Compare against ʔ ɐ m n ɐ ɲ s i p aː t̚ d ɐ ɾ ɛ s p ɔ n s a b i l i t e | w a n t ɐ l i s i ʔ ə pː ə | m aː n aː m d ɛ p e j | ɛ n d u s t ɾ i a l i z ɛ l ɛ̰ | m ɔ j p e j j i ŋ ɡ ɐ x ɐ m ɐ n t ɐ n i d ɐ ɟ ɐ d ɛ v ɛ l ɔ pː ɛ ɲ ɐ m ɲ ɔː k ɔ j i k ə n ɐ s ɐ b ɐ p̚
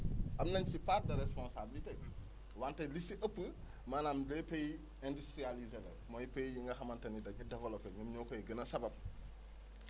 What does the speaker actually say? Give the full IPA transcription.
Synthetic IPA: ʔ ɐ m n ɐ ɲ s i p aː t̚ d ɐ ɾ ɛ s p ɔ n s a b i l i t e | w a n t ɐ l i s i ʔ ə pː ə | m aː n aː m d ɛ p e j | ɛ n d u s t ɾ i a l i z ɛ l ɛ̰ | m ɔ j p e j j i ŋ ɡ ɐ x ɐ m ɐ n t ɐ n i d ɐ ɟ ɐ d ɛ v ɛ l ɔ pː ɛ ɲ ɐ m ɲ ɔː k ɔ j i ɡ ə n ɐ s ɐ b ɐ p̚